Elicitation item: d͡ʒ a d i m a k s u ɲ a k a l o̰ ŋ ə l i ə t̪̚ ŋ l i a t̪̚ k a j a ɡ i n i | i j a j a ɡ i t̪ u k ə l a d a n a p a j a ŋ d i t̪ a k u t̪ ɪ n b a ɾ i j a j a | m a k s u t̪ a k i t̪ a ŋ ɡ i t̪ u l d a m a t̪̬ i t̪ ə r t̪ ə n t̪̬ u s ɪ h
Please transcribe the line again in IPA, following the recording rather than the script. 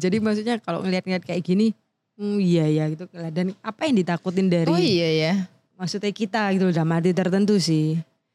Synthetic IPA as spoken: d͡ʒ a d i m a k s u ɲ a k a l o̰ ŋ ə l i a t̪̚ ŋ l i a t̪̚ k a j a ɡ i n i | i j a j a ɡ i t̪ u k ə l a d a n a p a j a ŋ d i t̪ a k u t̪ ɪ n d a ɾ i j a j a | m a k s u t̪ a k i t̪ a ɡ i t̪ u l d a m a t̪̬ i t̪ ə r t̪ ə n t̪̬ u s ɪ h